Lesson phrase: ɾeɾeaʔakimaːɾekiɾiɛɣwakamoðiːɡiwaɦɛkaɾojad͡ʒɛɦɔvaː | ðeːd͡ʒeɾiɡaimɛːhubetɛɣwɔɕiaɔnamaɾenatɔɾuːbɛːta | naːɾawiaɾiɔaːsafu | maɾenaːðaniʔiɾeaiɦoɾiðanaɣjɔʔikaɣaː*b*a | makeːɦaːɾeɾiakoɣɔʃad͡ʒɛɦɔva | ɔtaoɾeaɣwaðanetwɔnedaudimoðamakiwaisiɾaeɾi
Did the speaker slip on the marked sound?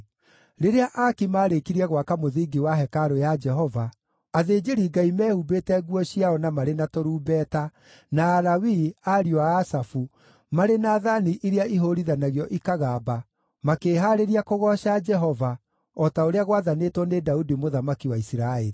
no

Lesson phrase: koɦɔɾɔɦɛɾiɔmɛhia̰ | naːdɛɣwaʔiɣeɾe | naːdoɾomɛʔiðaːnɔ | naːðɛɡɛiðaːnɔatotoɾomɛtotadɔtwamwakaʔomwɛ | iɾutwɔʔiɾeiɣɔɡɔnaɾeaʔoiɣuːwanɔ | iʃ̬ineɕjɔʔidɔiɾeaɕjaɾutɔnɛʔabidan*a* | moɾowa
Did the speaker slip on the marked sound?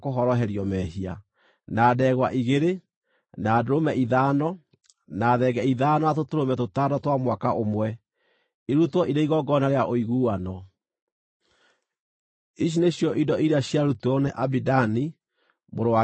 yes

